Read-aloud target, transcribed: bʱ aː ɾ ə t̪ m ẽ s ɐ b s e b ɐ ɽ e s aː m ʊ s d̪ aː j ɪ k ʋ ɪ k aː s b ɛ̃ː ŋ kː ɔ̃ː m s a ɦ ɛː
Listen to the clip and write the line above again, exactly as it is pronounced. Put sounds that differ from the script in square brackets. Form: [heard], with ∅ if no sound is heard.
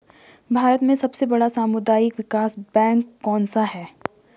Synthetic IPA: bʱ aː ɾ ə t̪ m ẽ s ɐ b s e b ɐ ɽ [a] s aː m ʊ [∅] d̪ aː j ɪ k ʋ ɪ k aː s b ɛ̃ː ŋ kː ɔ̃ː [n] s a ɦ ɛː

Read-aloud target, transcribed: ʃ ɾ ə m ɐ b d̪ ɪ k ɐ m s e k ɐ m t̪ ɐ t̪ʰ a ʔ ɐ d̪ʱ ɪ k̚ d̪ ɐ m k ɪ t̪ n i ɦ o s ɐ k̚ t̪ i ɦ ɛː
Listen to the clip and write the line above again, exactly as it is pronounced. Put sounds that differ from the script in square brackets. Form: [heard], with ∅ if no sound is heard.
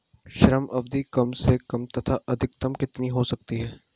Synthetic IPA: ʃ ɾ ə m ɐ b d̪ [i] k ɐ m s e k ɐ m t̪ ɐ t̪ʰ a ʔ ɐ d̪ʱ ɪ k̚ [t̪] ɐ m k ɪ t̪ n i ɦ o s ɐ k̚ t̪ i ɦ ɛː

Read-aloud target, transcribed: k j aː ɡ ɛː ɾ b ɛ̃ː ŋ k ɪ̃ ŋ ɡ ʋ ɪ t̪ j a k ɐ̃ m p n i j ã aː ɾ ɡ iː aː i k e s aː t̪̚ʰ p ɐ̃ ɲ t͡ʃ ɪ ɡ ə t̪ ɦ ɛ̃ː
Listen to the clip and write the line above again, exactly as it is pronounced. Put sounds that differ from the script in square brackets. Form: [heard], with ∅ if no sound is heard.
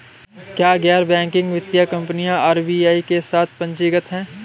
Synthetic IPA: k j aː ɡ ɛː ɾ b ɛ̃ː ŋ k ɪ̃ ŋ ɡ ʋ ɪ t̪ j a k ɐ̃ m p n i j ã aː ɾ [b] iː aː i k e s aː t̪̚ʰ p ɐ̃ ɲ t͡ʃ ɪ ɡ ə t̪ ɦ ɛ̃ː

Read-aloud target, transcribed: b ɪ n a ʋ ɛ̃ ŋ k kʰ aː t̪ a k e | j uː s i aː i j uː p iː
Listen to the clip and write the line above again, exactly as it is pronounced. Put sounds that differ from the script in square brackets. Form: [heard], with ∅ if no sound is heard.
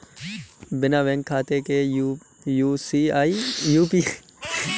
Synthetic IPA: b ɪ n a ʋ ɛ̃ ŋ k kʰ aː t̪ [e] k e | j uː s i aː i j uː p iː

